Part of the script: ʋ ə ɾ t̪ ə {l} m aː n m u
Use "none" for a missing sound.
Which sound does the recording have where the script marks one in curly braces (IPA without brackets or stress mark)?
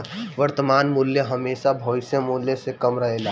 none